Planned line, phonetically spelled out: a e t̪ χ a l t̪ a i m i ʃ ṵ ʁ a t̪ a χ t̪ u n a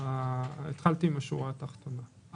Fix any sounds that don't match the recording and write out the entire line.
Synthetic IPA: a e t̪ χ a l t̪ i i m a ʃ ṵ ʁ a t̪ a χ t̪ o n a